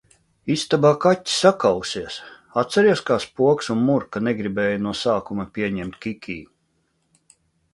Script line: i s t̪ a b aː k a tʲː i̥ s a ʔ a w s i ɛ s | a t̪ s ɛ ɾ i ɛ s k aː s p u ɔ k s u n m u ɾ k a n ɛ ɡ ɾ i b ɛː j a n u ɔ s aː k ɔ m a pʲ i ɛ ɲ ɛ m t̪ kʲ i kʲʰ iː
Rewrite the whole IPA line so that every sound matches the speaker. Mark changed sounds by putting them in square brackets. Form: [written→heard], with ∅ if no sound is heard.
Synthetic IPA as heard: i s t̪ a b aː k a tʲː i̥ s a [ʔ→k] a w s i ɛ s | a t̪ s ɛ ɾ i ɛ s k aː s p u ɔ k s u n m u ɾ k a n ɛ ɡ ɾ i b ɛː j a n u ɔ s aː k [ɔ→u] m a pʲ i ɛ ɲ ɛ m t̪ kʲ i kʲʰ iː